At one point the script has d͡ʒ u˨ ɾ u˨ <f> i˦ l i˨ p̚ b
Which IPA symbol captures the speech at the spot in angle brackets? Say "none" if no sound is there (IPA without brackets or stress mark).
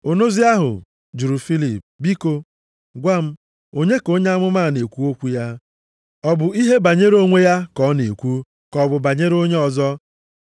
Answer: f